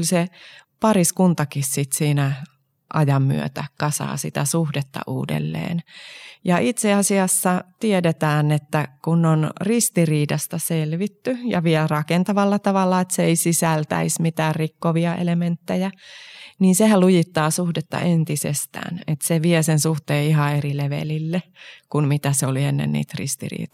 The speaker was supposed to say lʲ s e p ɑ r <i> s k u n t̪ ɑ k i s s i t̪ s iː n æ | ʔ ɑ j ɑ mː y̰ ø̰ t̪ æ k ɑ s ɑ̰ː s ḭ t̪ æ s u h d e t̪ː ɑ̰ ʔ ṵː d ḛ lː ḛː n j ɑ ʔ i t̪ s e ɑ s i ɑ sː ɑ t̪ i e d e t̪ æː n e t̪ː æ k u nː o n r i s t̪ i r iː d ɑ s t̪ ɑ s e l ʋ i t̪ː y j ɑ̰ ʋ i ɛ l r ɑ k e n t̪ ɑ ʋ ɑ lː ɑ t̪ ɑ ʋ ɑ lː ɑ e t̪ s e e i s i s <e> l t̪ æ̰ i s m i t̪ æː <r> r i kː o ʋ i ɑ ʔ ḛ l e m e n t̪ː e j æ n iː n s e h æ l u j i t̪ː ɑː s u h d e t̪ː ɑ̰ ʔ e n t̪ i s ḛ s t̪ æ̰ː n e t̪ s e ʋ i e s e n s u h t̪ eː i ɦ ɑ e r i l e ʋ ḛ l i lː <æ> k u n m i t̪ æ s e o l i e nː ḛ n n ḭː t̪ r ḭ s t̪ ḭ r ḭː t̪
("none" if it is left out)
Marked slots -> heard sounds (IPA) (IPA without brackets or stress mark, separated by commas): i, æ, r, e